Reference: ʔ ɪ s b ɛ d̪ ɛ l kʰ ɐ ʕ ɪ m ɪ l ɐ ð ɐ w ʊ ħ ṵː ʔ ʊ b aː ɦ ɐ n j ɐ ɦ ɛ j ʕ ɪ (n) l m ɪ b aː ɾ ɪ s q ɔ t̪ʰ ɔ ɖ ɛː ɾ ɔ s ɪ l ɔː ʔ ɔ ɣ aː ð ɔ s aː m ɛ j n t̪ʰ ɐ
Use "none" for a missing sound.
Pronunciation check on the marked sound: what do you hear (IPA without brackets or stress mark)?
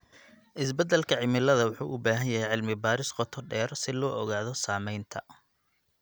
none